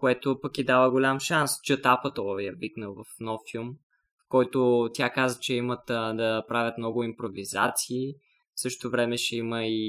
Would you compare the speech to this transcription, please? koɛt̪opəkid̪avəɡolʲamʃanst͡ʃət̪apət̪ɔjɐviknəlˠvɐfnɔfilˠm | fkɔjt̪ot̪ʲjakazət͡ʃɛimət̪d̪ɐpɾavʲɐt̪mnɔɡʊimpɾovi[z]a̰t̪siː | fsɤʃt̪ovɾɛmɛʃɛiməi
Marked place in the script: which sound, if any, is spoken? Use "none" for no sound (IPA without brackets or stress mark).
z